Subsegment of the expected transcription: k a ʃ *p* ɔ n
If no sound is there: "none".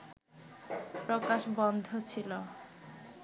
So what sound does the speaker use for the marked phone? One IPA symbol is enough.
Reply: b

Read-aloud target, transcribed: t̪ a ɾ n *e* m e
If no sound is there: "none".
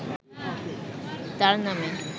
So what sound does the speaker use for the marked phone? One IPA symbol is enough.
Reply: a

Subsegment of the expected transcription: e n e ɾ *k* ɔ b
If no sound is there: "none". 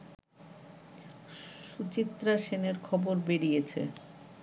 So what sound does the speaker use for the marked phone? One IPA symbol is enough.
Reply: kʰ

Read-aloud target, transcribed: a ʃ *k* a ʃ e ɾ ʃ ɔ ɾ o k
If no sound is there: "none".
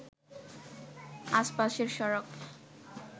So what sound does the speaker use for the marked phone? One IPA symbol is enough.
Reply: p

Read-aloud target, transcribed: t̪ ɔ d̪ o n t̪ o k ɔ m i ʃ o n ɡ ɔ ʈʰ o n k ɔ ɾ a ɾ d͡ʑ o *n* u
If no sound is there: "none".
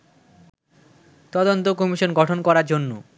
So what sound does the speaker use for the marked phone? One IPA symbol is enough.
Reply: nː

